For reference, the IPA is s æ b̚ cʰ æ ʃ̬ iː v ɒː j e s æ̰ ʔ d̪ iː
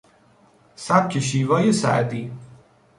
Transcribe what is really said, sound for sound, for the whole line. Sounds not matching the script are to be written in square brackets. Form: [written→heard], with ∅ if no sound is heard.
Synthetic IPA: s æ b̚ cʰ [æ→e] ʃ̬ iː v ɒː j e s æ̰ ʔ d̪ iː

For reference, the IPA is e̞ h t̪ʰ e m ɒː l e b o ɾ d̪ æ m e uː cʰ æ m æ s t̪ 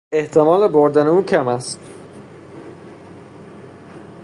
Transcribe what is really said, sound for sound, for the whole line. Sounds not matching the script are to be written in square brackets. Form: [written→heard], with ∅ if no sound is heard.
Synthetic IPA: e̞ h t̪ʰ e m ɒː l e b o ɾ d̪ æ [m→n] e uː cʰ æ m æ s t̪

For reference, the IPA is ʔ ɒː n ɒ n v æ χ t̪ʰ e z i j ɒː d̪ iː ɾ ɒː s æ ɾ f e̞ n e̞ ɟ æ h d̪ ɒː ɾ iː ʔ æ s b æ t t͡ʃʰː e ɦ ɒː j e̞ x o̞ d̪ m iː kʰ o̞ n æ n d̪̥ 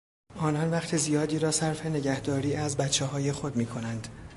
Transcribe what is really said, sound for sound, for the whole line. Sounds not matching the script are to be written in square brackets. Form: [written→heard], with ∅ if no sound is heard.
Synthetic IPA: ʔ ɒː n ɒ n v æ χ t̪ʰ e z i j ɒː d̪ iː ɾ ɒː s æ ɾ f e̞ n e̞ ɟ æ h d̪ ɒː ɾ iː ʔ æ [s→z] b æ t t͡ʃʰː e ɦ ɒː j e̞ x o̞ d̪ m iː kʰ o̞ n æ n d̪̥

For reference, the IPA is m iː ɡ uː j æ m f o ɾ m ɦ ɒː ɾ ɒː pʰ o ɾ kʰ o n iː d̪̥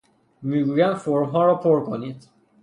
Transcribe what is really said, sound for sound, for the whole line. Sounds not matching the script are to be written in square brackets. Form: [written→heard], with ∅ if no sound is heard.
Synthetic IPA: m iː ɡ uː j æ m f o ɾ m ɦ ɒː ɾ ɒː pʰ o ɾ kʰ o n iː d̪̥

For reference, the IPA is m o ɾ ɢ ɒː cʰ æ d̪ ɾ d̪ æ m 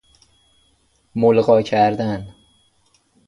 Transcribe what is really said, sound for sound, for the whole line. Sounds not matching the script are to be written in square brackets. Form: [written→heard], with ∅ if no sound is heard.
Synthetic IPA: m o [ɾ→l] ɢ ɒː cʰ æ [d̪→∅] ɾ d̪ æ [m→n]

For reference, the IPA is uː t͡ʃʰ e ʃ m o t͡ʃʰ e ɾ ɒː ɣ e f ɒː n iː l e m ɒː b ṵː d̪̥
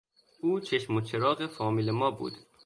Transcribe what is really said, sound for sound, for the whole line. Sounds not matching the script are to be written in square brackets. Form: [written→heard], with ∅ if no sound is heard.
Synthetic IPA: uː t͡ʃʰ e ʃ m o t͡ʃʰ e ɾ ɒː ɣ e f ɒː [n→m] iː l e m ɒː b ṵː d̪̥

